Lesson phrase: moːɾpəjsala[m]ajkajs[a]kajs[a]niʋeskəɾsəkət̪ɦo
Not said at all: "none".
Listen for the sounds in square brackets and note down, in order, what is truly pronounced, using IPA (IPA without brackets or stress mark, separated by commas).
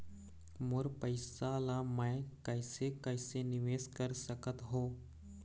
m, e, e